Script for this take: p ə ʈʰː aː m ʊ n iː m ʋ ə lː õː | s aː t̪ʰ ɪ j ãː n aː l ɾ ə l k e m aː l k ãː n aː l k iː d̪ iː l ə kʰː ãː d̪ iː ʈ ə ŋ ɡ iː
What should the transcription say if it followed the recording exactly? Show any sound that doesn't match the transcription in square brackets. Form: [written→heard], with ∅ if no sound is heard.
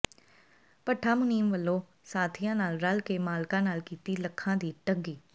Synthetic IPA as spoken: p ə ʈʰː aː m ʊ n iː m ʋ ə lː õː | s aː t̪ʰ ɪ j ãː n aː l ɾ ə l k e m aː l k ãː n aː l k iː [d̪→t̪] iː l ə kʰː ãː d̪ iː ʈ ə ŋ ɡ iː